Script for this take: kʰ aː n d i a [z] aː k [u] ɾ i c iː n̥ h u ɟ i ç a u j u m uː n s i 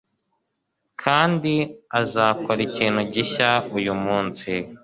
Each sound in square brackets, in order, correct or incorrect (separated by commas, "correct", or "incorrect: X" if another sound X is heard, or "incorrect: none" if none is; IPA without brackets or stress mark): correct, incorrect: o